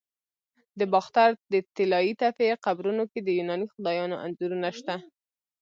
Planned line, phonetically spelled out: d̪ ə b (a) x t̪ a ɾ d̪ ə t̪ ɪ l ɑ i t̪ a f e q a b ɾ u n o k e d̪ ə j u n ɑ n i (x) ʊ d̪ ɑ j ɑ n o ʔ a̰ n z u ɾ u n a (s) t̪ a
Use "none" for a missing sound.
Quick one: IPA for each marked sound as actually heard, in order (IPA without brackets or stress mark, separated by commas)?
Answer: ɑ, x, ʃ